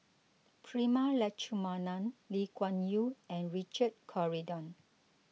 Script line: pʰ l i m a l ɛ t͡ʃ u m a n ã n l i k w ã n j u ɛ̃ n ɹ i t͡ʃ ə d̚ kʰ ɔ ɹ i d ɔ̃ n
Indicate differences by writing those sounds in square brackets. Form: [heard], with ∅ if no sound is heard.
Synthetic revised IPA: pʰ [ɹ] i m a l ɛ t͡ʃ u m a n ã n l i k w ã n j u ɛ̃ n ɹ i t͡ʃ ə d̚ kʰ ɔ ɹ i d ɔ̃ n